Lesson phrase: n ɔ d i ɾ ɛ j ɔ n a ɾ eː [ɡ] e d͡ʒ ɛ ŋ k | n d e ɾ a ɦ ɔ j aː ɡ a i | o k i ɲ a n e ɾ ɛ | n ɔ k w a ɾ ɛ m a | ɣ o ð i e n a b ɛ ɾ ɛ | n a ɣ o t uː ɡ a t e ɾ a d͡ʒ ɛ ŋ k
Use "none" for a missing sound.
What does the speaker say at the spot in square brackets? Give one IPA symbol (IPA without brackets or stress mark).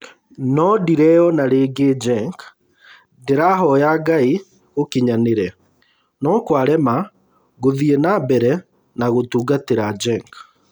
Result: ɡ